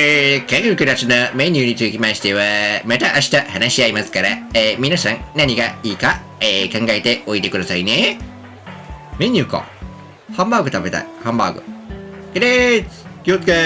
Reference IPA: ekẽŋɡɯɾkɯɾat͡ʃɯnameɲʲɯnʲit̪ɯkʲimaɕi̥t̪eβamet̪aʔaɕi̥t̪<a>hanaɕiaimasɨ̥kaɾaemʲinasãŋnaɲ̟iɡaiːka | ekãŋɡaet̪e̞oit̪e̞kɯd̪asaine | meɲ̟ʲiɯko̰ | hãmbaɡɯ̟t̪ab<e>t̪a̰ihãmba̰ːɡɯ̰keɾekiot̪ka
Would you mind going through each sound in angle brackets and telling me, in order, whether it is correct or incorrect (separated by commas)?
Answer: correct, correct